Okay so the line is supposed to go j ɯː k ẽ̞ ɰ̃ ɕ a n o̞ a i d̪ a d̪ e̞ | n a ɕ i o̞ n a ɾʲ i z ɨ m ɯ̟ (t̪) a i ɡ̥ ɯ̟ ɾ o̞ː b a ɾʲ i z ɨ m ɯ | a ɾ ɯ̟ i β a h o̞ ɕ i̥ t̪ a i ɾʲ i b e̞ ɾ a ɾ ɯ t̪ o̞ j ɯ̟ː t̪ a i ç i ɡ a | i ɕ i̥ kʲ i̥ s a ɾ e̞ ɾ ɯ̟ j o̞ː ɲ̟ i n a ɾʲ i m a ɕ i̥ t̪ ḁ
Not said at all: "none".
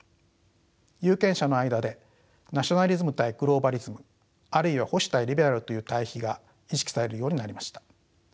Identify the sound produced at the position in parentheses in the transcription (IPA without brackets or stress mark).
t̪